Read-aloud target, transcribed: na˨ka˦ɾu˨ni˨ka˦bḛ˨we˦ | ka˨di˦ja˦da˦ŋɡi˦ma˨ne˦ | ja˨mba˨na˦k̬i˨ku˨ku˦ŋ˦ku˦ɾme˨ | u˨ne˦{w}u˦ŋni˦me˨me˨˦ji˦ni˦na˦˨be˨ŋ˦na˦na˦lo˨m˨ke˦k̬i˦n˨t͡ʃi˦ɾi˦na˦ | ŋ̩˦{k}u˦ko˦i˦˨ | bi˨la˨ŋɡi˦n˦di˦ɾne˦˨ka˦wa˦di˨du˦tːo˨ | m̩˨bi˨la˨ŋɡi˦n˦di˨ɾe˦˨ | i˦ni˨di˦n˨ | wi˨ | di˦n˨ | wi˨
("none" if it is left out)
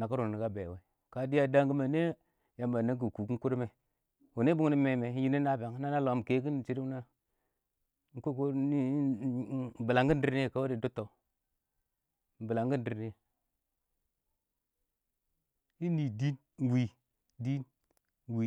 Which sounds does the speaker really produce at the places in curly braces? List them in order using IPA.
b, k

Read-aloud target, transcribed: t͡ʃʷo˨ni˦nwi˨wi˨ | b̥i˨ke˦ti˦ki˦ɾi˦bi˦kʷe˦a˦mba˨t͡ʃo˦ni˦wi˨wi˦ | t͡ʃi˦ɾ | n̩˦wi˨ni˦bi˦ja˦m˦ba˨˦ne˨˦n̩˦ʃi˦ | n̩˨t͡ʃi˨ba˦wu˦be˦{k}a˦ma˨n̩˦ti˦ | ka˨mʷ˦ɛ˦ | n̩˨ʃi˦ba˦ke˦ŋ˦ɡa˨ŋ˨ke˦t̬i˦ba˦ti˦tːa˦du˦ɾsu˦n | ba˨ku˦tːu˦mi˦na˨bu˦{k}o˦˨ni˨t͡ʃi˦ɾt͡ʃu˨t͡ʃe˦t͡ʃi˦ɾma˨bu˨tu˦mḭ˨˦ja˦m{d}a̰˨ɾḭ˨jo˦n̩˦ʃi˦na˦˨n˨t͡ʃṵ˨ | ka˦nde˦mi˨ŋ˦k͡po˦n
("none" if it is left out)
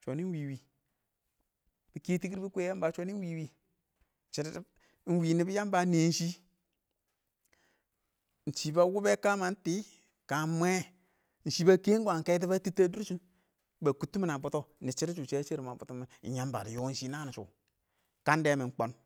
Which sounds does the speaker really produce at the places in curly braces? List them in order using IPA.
k, t, b

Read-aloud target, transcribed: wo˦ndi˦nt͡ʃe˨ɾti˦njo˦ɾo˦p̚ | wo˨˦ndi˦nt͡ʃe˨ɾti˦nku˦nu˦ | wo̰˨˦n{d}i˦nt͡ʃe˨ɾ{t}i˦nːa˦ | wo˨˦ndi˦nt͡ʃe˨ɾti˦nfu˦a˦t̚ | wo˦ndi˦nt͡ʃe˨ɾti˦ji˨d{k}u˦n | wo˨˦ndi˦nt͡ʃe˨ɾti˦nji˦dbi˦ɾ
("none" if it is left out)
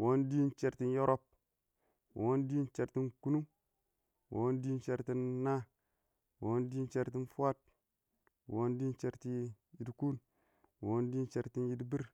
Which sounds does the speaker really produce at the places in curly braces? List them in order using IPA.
d, t, k

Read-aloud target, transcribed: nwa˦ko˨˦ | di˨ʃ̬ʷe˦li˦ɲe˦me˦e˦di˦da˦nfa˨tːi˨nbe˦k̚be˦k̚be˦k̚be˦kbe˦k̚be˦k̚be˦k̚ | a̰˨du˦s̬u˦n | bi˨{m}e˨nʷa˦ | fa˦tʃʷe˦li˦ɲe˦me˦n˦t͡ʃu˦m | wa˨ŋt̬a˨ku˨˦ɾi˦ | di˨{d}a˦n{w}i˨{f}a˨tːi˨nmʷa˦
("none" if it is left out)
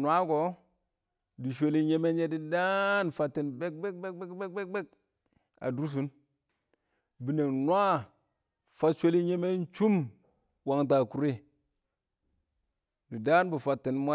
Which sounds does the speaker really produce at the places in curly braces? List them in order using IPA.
n, d, b, f

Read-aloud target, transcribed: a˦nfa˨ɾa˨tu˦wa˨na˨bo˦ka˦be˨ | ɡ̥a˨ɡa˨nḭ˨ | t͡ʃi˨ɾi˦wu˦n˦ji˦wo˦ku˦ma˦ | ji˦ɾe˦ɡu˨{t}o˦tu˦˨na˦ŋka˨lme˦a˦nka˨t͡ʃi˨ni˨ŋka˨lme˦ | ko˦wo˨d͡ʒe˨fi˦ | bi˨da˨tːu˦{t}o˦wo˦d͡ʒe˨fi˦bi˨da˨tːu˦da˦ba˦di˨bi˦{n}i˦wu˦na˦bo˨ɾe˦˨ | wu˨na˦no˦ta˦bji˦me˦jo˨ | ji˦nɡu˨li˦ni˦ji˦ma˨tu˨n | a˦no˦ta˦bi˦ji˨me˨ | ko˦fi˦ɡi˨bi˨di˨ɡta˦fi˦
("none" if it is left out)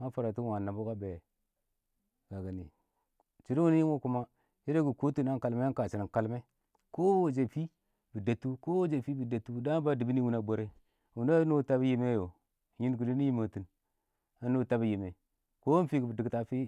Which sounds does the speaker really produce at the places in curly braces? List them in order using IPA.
k, k, n

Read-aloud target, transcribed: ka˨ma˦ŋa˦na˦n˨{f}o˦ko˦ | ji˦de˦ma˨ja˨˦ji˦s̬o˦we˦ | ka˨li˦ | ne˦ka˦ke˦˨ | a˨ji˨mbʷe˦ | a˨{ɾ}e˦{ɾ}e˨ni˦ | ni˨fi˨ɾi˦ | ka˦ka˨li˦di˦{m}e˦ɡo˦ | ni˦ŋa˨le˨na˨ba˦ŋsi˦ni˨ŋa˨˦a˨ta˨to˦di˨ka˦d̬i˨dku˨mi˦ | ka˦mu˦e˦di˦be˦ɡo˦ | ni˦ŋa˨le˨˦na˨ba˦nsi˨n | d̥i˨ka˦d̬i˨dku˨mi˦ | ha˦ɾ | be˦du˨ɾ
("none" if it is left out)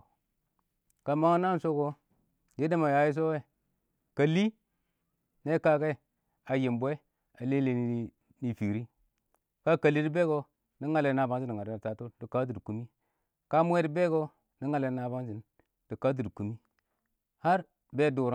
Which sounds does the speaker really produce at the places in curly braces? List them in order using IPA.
s, l, l, b

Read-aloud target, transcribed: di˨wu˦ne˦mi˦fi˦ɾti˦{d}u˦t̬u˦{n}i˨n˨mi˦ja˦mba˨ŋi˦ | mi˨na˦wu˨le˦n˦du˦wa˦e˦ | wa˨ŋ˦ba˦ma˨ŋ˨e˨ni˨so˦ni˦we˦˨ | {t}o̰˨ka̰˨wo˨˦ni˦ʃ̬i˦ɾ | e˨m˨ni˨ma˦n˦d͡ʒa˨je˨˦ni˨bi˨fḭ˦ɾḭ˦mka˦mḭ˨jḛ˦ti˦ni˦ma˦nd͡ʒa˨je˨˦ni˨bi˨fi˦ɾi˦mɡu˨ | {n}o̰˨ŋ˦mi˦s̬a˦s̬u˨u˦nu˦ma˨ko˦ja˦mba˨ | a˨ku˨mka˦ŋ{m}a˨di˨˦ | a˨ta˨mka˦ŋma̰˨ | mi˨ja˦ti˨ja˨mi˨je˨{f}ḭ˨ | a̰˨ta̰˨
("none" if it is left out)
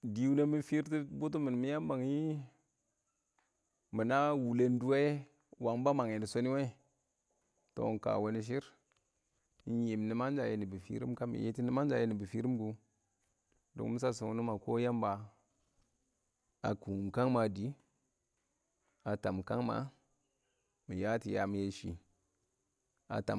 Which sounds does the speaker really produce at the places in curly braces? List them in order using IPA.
b, m, t, d, m, ʃ

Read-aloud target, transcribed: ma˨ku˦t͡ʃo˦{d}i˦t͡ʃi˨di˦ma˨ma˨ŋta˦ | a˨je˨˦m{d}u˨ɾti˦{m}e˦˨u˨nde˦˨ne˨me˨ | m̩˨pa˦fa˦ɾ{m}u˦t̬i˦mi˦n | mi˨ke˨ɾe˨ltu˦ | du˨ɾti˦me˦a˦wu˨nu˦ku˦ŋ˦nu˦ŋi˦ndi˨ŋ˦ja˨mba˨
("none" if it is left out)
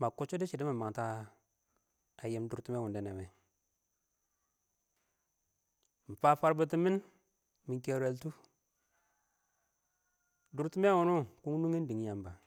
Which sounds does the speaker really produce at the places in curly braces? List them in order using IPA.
d, d, m, b

